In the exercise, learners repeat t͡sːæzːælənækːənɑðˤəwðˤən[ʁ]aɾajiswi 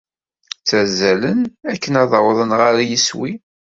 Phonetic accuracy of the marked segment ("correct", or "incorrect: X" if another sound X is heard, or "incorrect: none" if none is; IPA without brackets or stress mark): correct